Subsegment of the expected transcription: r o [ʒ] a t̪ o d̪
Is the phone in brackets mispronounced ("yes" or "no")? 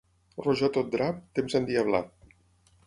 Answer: no